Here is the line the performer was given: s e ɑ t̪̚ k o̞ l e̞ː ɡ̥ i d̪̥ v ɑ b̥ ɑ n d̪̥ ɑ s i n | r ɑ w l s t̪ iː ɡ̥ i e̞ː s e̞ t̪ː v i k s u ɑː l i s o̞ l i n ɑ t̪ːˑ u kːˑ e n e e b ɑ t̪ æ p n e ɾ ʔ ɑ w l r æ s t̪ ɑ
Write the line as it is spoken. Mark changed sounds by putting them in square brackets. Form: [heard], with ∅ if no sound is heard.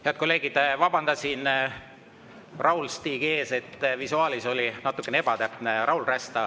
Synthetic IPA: [h] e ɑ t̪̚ k o̞ l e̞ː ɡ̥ i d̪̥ v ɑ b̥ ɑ n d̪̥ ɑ s i n | r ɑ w l s t̪ iː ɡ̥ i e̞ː s e̞ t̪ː v i [∅] s u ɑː l i s o̞ l i n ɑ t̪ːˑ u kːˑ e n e e b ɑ t̪ æ p n e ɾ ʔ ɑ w l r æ s t̪ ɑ